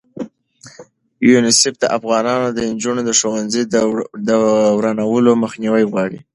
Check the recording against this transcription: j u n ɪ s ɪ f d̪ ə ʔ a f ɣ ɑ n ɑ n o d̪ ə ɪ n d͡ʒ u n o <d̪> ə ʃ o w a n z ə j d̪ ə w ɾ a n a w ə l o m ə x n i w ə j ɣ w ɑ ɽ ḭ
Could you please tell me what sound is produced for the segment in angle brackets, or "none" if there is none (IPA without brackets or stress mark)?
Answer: d̪